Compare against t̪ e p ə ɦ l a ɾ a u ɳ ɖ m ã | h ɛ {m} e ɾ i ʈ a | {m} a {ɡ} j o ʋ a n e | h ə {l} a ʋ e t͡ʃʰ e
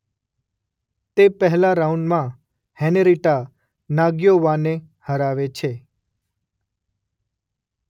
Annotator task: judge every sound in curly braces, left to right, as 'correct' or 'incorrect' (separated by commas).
incorrect, incorrect, correct, incorrect